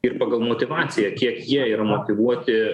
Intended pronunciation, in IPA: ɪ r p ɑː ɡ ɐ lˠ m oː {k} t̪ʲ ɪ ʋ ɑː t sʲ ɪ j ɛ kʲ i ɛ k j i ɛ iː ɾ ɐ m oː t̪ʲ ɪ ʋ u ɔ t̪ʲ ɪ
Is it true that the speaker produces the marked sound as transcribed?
no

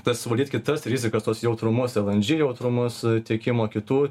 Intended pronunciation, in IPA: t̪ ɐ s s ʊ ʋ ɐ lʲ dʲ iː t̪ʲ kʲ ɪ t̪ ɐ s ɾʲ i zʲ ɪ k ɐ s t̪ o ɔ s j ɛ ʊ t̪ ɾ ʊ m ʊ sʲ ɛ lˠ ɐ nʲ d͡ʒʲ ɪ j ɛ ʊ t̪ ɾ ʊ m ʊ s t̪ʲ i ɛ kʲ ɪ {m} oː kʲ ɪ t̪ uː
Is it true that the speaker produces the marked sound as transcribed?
yes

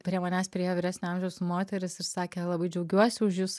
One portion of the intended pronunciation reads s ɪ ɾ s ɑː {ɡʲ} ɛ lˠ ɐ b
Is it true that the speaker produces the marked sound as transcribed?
no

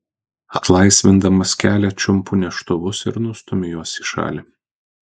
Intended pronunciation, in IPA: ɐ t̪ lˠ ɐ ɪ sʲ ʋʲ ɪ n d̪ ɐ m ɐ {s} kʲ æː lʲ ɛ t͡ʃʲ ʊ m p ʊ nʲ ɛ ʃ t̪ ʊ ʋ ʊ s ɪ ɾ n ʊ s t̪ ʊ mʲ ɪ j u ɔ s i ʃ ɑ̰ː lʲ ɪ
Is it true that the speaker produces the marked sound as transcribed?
yes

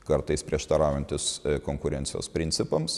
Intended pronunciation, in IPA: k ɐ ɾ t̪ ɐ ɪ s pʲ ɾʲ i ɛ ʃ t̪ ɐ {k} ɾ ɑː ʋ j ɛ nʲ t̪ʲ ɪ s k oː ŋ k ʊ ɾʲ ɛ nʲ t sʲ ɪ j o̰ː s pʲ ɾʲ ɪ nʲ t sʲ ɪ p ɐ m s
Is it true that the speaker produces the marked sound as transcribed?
no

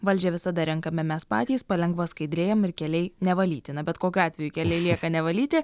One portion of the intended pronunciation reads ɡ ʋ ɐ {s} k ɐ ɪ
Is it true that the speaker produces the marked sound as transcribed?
yes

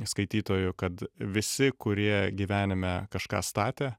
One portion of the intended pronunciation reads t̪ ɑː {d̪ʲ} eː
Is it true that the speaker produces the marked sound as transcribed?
no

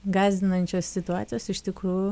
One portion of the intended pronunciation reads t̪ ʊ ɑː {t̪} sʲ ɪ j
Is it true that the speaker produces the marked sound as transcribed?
yes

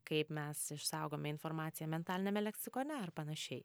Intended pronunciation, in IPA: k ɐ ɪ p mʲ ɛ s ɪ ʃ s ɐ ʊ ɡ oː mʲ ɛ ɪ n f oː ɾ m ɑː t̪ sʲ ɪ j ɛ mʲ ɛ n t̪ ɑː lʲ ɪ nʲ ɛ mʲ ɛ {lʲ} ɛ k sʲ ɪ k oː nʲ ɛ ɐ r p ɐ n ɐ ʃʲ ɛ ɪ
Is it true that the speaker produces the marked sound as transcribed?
yes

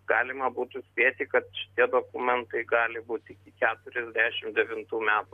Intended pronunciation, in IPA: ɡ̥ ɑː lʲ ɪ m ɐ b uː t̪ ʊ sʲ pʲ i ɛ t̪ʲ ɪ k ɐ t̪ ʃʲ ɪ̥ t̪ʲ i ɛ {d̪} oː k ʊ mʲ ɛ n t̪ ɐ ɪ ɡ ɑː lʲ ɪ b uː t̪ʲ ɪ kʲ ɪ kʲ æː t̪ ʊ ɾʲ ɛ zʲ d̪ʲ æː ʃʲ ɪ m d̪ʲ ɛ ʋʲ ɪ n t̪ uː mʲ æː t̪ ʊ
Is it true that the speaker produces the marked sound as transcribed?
yes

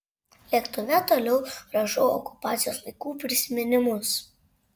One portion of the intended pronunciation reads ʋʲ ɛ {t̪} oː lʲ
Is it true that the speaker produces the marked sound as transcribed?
yes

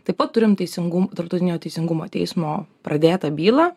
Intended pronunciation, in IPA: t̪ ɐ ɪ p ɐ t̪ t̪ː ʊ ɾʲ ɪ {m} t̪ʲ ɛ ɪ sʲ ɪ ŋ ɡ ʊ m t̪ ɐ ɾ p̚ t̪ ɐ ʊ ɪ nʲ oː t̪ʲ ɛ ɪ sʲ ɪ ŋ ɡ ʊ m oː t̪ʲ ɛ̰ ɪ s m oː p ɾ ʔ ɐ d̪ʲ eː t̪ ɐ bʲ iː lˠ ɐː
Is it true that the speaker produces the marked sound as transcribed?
yes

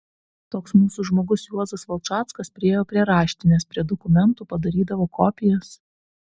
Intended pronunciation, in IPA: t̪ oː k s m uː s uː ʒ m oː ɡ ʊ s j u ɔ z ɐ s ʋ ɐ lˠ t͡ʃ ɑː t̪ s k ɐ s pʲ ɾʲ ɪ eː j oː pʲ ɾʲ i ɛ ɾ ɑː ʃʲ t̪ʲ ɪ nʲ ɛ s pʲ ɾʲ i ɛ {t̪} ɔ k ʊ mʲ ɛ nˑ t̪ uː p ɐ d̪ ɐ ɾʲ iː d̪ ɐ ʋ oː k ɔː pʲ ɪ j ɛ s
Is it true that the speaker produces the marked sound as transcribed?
no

